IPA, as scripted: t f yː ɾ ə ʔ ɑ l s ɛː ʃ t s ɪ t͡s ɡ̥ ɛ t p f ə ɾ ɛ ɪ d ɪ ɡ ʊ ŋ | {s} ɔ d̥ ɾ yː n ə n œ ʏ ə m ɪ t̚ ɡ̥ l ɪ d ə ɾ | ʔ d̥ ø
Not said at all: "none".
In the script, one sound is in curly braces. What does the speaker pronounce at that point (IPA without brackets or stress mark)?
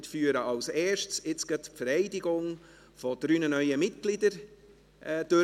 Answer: f